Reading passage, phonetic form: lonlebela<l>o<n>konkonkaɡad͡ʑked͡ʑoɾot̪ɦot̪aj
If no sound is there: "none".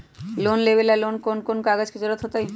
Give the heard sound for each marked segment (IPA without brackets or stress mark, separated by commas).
l, n